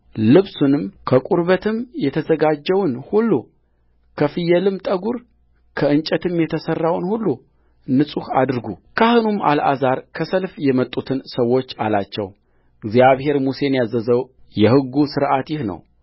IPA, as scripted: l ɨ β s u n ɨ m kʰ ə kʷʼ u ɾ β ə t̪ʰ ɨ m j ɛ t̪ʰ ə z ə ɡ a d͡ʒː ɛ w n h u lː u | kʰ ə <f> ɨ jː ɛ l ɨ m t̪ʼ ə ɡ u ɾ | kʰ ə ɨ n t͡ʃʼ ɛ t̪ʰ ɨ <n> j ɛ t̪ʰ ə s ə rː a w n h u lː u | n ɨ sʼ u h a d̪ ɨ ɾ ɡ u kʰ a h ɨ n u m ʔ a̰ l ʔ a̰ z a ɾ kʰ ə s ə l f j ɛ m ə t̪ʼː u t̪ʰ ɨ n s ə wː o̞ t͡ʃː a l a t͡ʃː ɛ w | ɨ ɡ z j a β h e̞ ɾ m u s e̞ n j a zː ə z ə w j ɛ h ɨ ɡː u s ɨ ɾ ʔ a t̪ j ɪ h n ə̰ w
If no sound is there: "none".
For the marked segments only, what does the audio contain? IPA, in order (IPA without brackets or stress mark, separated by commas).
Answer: f, m